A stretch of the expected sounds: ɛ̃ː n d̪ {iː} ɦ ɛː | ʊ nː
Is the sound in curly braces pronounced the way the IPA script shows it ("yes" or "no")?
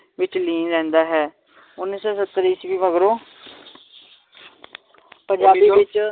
no